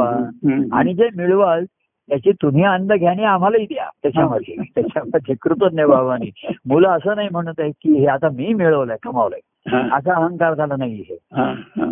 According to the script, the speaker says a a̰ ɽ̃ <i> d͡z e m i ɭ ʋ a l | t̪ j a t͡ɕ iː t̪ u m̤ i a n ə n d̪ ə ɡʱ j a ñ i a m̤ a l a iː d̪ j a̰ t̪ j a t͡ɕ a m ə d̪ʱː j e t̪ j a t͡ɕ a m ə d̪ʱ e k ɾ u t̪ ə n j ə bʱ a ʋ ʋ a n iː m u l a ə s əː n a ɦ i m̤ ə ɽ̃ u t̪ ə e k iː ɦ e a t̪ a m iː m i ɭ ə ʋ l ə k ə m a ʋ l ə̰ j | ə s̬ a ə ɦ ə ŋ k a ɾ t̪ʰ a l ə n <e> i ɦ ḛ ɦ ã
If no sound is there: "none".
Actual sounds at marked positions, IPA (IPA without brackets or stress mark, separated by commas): i, a